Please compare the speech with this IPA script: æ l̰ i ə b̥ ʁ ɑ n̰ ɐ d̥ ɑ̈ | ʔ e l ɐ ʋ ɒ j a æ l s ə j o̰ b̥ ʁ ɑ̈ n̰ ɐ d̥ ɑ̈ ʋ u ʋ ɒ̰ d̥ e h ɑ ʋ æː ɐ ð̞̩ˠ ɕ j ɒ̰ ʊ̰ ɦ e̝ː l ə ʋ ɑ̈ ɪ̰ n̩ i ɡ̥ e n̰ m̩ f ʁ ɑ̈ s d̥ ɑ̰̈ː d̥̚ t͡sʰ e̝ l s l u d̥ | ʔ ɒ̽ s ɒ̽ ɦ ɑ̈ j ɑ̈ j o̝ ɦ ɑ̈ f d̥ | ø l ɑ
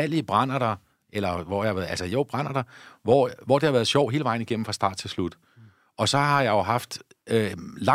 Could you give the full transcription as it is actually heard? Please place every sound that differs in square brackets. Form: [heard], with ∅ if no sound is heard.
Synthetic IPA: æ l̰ i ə b̥ ʁ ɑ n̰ ɐ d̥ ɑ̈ | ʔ e l ɐ ʋ ɒ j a æ l s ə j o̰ b̥ ʁ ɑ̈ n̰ ɐ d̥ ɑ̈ ʋ [ɒ] ʋ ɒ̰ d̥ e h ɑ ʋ æː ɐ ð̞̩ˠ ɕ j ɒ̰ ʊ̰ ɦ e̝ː l ə ʋ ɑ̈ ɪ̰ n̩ i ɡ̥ e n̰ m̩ f ʁ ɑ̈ s d̥ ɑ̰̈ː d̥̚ t͡sʰ e̝ l s l u d̥ | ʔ ɒ̽ s ɒ̽ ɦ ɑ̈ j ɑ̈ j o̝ ɦ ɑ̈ f d̥ | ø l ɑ